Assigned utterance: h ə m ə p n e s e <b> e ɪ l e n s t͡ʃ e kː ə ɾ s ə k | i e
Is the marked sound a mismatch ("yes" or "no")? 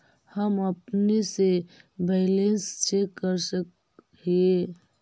no